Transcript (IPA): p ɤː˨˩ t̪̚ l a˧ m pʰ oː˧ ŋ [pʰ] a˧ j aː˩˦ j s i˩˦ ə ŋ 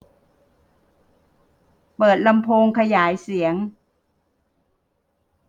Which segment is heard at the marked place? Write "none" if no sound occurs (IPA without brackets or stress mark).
kʰ